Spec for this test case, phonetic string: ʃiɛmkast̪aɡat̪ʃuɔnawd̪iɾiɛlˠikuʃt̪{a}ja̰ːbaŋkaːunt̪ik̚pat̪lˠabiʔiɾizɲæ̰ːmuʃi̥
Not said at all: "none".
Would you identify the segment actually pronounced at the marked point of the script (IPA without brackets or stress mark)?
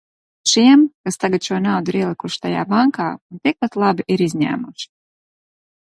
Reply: a